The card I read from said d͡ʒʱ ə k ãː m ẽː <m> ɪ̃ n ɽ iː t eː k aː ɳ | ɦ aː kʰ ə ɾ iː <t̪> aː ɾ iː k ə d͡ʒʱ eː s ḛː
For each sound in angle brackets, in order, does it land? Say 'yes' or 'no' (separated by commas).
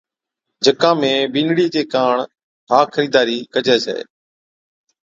no, no